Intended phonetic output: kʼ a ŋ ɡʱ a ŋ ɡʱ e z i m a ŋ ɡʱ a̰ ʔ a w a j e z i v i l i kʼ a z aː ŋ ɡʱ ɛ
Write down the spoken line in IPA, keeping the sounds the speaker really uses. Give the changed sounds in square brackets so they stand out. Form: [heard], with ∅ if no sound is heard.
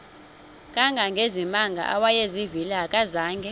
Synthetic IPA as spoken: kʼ a ŋ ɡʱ a ŋ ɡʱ e z i m a ŋ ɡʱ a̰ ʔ a w a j e z i v i l [a] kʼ a z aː ŋ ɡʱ ɛ